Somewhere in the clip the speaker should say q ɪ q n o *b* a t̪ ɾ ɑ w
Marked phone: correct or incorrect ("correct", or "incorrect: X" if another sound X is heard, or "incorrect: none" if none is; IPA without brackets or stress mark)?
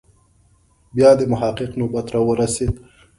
correct